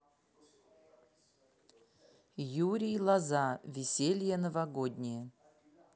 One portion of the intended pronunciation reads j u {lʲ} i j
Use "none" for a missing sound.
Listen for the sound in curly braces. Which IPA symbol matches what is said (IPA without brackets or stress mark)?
ɾʲ